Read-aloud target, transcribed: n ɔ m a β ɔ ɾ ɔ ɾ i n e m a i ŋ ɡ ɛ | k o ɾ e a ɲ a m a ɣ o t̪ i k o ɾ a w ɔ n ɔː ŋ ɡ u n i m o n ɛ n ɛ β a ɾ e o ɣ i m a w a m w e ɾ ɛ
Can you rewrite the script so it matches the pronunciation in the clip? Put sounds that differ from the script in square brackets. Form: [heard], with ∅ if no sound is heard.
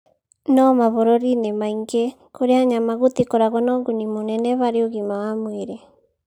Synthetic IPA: n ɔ m a β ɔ ɾ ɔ ɾ i n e m a i ŋ ɡ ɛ | k o ɾ e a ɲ a m a ɣ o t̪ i k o ɾ a [ɣ] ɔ n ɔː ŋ ɡ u n i m o n ɛ n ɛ β a ɾ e o ɣ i m a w a m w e ɾ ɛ